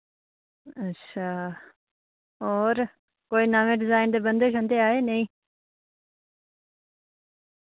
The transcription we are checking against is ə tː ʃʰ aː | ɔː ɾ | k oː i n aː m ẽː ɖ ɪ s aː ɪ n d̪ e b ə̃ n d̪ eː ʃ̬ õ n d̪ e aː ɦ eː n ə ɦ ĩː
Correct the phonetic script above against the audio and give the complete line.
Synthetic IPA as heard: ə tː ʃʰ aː | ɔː ɾ | k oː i n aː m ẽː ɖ ɪ z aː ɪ n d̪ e b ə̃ n d̪ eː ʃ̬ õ n d̪ e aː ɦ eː n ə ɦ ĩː